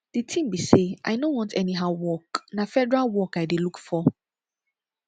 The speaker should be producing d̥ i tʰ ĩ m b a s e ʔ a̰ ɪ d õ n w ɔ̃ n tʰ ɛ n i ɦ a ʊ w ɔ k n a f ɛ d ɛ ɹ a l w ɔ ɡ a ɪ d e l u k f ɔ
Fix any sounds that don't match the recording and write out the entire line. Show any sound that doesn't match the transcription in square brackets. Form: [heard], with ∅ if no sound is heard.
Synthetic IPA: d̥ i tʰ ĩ m b [i] s e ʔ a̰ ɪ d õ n w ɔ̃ n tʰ ɛ n i ɦ a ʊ w ɔ k n a f ɛ d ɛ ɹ a l w ɔ [k] a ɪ d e l u k f ɔ